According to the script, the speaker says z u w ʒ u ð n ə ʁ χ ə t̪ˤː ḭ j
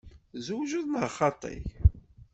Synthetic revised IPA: z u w ʒ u ð n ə ʁ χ ɑ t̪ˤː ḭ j